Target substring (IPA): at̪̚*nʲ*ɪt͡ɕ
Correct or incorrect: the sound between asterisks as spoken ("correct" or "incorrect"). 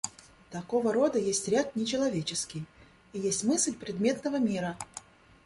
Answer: correct